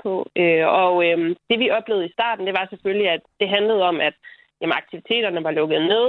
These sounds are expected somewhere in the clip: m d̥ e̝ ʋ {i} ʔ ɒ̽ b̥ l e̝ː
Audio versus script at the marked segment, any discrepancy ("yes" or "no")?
no